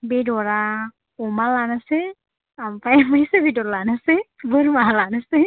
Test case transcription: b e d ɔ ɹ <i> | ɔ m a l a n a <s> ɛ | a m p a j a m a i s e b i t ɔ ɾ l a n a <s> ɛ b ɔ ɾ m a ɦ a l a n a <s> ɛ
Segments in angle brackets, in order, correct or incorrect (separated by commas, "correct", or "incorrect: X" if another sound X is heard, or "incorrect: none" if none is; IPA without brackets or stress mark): incorrect: a, correct, correct, correct